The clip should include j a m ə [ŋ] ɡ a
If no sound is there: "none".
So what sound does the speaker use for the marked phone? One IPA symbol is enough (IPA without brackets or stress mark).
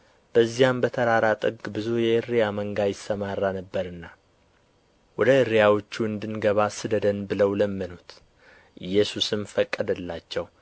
ŋ